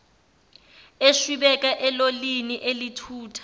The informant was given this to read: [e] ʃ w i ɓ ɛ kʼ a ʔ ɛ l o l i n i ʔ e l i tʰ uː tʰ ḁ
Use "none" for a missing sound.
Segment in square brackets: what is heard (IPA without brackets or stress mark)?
e